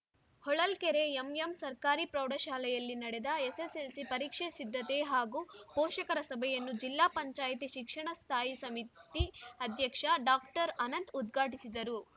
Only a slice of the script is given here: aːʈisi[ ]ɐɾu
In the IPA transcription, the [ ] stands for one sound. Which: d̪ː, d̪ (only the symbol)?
d̪